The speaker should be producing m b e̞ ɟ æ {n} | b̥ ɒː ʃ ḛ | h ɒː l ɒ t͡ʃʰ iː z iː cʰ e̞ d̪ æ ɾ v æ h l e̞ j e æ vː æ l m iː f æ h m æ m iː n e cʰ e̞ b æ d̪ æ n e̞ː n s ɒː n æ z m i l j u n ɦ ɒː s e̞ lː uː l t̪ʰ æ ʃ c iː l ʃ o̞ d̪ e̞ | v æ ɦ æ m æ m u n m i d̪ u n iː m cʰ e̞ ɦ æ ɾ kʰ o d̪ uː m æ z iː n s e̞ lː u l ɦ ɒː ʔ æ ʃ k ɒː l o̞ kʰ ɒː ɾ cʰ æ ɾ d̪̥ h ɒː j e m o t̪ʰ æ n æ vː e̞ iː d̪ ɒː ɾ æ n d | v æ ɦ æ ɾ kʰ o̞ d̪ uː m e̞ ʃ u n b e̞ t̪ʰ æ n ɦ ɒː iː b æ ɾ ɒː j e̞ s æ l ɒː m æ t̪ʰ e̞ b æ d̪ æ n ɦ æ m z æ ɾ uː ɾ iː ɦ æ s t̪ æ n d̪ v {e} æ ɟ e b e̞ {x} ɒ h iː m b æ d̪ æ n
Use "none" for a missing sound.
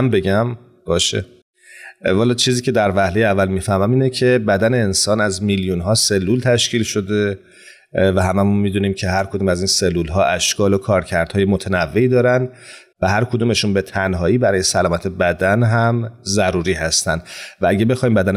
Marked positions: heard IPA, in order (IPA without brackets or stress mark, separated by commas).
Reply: m, æ, x